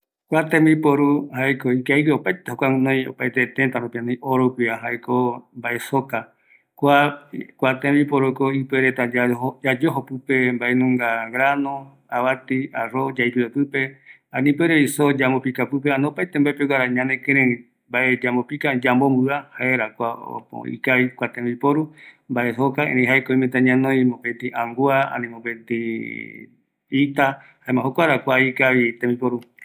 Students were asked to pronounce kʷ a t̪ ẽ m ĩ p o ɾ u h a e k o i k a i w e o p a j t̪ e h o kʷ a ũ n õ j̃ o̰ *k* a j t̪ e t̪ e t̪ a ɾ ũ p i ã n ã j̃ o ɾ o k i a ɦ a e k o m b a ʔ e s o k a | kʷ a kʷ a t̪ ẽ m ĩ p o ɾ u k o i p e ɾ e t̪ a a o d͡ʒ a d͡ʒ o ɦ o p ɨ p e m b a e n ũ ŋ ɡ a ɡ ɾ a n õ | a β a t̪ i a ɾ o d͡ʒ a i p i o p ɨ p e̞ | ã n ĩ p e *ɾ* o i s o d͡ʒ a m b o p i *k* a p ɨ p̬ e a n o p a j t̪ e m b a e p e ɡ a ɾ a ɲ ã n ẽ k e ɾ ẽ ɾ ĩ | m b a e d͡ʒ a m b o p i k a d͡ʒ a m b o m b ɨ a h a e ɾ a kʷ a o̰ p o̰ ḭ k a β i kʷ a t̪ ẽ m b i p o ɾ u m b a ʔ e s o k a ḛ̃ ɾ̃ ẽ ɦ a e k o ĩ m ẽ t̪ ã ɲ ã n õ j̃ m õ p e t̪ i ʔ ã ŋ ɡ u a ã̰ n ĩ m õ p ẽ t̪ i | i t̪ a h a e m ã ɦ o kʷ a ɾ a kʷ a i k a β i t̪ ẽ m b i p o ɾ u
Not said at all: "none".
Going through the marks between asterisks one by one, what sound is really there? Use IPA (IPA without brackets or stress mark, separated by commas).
p, ɾ, k